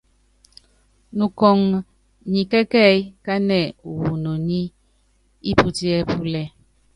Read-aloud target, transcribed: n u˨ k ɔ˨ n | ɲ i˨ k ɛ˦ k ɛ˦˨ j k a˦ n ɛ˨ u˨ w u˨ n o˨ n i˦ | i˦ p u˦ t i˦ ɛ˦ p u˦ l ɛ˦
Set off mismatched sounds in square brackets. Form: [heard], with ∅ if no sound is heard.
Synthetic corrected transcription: n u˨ k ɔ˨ [ŋ] | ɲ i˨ k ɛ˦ k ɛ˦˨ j k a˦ n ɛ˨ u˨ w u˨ n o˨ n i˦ | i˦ p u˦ t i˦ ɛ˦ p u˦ l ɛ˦

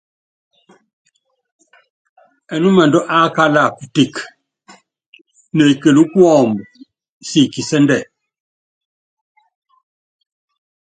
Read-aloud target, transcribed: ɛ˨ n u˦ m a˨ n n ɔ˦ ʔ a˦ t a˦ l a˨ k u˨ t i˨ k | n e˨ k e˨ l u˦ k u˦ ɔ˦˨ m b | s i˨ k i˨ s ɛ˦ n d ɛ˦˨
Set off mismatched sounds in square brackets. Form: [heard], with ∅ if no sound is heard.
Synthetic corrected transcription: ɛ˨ n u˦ m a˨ n [d] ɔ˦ ʔ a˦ [k] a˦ l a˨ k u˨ t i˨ k | n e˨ k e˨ l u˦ k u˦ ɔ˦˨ m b | s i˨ k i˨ s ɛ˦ n d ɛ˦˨

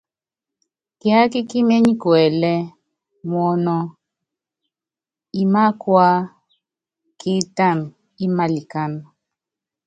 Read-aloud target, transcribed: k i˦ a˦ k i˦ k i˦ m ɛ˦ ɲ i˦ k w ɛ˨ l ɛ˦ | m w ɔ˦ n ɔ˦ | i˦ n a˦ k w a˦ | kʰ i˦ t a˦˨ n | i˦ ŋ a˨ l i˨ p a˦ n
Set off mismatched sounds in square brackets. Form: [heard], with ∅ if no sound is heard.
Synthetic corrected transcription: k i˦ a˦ k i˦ k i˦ m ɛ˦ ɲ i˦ k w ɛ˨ l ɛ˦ | m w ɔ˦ n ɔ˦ | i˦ [m] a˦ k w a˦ | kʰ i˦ t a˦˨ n | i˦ [m] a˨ l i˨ [k] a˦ n

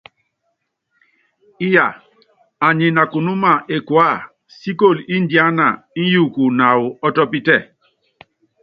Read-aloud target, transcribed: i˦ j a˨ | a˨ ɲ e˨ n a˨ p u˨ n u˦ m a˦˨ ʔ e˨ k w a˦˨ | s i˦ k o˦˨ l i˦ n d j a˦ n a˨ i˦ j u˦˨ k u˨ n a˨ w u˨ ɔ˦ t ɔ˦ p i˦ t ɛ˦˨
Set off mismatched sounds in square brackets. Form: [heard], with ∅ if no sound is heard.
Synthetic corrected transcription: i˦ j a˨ | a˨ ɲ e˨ n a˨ [k] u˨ n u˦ m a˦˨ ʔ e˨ k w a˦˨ | s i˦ k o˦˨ l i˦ n d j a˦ n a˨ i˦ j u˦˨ k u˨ n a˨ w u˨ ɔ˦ t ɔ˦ p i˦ t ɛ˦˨

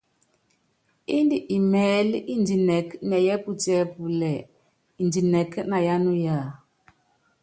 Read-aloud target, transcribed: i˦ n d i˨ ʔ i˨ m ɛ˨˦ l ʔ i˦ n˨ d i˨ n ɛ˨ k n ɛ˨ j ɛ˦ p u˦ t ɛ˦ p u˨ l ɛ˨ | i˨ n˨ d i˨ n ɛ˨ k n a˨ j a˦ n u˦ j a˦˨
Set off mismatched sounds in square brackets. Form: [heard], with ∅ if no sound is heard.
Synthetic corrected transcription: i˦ n d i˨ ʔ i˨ m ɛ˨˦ l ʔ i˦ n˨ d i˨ n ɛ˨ k n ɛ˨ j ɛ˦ p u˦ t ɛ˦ p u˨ l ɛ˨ | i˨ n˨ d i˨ n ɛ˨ k n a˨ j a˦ n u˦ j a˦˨

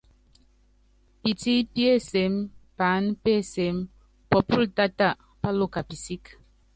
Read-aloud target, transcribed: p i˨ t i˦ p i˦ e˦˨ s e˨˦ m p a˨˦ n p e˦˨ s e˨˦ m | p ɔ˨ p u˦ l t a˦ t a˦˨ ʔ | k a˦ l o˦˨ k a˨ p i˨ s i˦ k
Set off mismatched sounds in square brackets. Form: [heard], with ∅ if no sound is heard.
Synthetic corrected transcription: p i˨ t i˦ p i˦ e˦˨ s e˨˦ m p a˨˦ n p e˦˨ s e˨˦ m | p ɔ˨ p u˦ l t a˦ t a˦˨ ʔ | [p] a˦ l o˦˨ k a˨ p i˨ s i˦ k

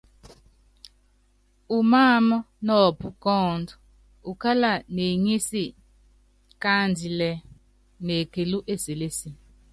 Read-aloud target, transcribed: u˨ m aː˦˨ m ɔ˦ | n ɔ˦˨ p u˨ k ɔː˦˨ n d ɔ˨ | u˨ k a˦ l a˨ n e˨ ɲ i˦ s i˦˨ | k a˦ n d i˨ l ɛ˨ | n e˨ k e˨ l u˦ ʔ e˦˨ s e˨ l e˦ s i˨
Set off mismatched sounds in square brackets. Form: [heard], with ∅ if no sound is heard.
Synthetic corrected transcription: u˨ m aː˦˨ m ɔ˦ | n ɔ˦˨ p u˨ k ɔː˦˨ n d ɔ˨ | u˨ k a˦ l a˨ n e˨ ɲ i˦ s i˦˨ | k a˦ n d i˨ l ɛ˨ | n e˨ k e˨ l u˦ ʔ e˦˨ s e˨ l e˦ s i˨

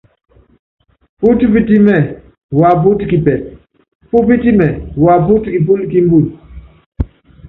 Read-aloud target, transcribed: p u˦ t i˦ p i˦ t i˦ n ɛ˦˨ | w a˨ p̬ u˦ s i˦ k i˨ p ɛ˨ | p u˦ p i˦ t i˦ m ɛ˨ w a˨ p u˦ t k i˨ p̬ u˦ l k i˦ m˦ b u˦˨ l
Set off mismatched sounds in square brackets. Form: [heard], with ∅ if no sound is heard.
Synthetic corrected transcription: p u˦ t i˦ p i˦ t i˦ [m] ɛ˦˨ | w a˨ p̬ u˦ [t] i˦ k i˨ p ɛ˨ | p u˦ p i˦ t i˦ m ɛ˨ w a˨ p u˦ t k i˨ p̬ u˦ l k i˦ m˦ b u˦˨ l

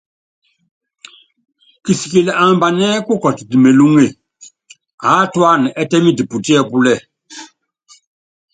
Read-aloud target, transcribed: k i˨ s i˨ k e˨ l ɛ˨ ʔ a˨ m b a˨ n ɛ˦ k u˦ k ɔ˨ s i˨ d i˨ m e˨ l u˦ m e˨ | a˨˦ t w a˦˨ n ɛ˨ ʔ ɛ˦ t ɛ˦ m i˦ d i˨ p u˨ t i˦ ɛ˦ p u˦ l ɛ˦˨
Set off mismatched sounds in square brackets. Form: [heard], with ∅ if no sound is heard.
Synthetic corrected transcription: k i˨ s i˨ k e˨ l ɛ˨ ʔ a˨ m b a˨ n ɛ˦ k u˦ k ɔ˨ [t] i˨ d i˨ m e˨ l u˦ [ŋ] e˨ | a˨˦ t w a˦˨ n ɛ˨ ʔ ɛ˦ t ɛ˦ m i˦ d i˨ p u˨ t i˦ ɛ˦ p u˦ l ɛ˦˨

